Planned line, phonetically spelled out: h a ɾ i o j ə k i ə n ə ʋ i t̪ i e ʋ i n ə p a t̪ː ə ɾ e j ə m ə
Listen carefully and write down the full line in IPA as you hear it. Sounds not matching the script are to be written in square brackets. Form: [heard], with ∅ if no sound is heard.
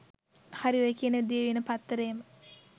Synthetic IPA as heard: h a ɾ i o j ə k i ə n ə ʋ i [d̪] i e ʋ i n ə p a t̪ː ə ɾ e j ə m ə